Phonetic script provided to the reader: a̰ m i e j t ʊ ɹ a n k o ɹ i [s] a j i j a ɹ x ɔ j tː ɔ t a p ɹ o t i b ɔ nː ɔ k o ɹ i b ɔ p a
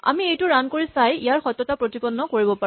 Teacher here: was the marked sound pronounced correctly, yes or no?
yes